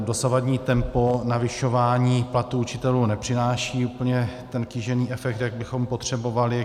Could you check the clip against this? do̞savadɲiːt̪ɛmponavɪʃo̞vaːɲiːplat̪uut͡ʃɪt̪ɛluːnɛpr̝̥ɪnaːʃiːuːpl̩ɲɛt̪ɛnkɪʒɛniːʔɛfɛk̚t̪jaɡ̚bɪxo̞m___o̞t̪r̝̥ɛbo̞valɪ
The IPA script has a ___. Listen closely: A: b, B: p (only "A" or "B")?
B